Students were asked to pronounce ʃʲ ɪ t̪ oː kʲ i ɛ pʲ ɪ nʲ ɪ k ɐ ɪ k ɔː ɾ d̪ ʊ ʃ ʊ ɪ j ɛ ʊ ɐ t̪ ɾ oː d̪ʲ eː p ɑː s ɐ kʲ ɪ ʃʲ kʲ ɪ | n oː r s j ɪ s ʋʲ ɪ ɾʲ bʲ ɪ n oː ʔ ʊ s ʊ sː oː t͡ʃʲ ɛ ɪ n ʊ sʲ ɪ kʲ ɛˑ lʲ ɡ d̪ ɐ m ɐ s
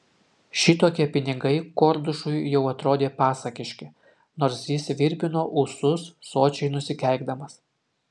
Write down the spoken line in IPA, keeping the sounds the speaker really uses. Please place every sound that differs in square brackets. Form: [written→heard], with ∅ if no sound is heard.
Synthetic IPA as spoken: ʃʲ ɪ t̪ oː kʲ i ɛ pʲ ɪ nʲ ɪ [k→ɡ] ɐ ɪ k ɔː ɾ d̪ ʊ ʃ ʊ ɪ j ɛ ʊ ɐ t̪ ɾ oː d̪ʲ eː p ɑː s ɐ kʲ ɪ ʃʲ kʲ ɪ | n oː [r→ɾ] s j ɪ s ʋʲ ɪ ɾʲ bʲ ɪ n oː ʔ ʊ s ʊ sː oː t͡ʃʲ ɛ ɪ n ʊ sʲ ɪ kʲ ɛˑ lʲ ɡ d̪ ɐ m ɐ s